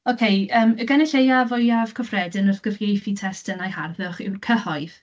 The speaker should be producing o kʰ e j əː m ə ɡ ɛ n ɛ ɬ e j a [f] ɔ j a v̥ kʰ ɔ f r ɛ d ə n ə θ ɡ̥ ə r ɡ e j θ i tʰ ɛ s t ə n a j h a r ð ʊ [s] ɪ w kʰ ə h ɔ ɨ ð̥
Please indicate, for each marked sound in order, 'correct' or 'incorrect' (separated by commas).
incorrect, incorrect